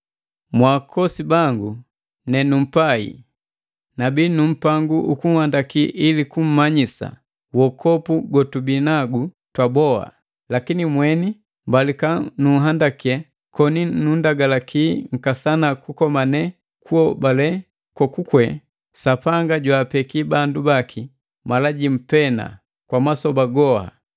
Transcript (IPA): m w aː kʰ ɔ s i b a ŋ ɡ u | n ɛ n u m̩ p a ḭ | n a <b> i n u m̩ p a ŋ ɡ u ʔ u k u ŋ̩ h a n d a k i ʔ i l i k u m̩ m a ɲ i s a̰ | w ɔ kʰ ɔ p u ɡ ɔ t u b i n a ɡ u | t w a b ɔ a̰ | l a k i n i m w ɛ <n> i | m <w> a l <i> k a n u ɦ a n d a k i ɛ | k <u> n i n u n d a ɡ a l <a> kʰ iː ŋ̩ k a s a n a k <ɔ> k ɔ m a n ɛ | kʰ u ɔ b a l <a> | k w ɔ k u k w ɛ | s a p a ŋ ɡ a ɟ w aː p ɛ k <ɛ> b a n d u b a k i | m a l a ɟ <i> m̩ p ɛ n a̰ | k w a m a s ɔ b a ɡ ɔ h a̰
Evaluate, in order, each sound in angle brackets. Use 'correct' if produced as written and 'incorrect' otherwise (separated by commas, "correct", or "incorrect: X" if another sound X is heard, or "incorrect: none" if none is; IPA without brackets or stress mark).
correct, correct, incorrect: b, correct, incorrect: ɔ, correct, incorrect: u, incorrect: ɛ, incorrect: i, correct